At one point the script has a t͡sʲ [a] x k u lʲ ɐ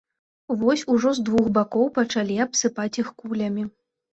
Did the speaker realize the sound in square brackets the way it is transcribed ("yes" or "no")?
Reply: no